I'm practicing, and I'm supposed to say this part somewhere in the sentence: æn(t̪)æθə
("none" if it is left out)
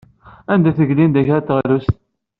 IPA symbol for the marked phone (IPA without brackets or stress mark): d̪